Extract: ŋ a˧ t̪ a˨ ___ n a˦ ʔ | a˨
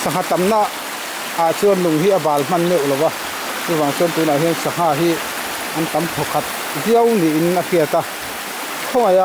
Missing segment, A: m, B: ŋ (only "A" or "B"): A